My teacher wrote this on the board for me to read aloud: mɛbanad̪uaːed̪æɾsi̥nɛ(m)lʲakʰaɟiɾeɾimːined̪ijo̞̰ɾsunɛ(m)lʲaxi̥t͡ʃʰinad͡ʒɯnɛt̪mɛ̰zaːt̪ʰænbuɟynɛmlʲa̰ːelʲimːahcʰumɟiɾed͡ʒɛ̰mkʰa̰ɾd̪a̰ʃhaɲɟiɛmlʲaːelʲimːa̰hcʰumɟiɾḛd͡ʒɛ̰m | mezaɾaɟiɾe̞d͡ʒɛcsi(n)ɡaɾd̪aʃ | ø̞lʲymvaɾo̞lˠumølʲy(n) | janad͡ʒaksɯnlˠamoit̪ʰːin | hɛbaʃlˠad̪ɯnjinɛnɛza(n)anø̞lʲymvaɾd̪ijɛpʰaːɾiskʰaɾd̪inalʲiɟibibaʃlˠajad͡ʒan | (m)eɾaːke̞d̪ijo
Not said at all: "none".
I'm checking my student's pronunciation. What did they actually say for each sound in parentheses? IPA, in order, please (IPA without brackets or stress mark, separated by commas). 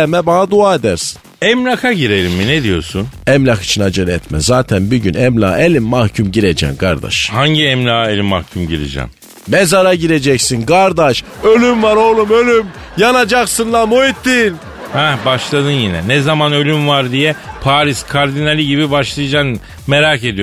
m, m, n, m, m, m